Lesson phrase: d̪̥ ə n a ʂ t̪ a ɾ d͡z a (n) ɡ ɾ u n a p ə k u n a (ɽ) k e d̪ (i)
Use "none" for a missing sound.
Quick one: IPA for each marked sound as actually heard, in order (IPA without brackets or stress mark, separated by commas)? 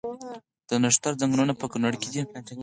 ŋ, ɽ, i